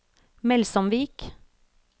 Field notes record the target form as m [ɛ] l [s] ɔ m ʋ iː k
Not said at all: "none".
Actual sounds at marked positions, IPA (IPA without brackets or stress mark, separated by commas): ɛ, s